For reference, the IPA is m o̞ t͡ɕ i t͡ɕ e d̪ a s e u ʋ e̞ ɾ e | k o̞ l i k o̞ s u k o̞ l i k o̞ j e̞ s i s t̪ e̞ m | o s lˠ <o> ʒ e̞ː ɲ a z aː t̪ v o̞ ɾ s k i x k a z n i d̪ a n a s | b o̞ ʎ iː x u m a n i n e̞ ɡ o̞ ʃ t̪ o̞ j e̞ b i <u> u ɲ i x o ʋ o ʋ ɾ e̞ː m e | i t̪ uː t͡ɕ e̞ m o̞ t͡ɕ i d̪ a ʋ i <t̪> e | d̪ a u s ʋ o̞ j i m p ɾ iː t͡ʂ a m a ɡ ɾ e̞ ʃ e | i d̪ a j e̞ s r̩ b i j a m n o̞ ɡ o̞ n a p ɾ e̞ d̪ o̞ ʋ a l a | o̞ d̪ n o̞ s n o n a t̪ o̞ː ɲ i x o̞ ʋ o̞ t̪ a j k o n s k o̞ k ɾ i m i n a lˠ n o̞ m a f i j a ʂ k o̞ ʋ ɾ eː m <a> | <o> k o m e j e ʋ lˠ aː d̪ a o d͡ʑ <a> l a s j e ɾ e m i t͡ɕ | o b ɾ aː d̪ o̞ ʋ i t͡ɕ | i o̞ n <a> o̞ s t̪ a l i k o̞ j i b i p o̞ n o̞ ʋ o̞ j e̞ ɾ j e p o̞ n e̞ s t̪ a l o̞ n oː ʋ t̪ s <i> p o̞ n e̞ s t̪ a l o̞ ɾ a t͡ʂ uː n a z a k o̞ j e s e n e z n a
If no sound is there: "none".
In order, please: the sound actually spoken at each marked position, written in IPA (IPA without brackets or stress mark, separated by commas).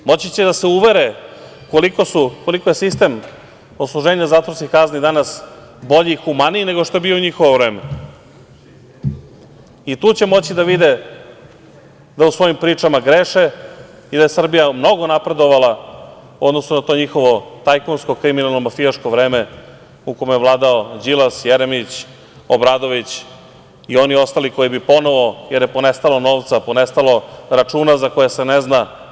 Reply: u, o, d̪, e, u, i, i, a